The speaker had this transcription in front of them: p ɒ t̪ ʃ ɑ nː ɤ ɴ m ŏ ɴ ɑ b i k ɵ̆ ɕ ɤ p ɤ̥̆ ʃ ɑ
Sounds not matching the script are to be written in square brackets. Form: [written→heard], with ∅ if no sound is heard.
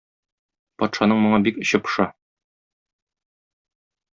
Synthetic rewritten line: p ɒ t̪ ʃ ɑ [nː→n] ɤ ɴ m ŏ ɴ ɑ b i k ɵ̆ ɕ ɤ p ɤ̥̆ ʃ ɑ